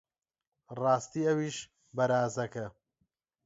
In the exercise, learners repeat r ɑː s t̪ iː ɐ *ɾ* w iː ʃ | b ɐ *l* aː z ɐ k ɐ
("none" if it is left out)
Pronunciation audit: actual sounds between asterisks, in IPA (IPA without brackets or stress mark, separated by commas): none, ɾ